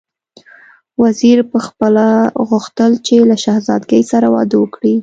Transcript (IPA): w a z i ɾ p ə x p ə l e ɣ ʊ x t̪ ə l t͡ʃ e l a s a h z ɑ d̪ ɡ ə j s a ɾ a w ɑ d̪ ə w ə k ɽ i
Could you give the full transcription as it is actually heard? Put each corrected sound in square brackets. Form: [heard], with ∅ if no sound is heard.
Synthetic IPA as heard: w a z i ɾ p ə x p ə l [a] ɣ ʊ x t̪ ə l t͡ʃ e l a [ʃ] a h z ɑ d̪ ɡ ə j s a ɾ a w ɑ d̪ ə w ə k ɽ i